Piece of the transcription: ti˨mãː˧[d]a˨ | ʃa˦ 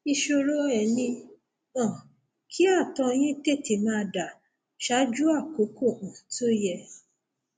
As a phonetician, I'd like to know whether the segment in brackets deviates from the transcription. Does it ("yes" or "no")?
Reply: no